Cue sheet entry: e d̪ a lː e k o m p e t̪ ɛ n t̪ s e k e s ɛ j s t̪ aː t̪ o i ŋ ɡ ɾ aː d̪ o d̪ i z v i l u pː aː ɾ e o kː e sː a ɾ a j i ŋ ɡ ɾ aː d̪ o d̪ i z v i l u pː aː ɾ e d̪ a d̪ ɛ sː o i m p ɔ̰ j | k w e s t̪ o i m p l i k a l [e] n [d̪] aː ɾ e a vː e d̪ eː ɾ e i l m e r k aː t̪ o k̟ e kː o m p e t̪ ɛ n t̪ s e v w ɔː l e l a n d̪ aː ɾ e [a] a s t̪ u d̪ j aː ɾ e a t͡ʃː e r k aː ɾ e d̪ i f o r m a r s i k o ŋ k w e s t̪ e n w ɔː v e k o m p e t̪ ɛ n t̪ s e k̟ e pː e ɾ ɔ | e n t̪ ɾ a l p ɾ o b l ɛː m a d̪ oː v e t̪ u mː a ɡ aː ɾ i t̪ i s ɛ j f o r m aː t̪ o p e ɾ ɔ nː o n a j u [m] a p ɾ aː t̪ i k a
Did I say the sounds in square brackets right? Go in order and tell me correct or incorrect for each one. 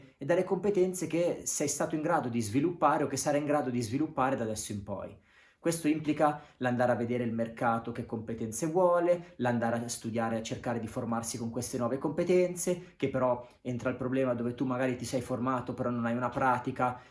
incorrect: a, correct, correct, incorrect: n

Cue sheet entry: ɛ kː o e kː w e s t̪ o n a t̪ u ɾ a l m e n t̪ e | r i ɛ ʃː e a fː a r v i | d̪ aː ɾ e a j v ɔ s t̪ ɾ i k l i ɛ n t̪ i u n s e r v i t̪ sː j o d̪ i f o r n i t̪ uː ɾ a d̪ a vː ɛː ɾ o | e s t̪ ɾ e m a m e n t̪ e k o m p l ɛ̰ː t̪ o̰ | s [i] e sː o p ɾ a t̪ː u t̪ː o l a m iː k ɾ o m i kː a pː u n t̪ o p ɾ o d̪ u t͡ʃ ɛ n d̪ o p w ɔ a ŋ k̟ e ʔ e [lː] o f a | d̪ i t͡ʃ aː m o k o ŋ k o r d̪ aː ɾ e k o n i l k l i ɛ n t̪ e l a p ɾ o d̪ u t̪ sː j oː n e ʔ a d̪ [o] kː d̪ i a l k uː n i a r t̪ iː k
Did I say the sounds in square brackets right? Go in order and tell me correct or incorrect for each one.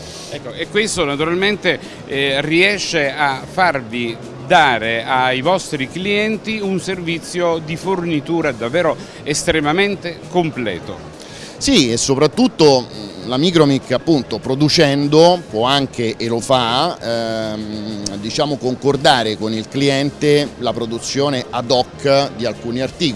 correct, incorrect: l, incorrect: ɔ

